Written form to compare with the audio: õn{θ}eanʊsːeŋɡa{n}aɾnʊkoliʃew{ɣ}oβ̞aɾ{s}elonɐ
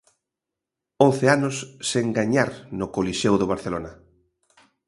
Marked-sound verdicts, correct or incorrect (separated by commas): correct, incorrect, incorrect, incorrect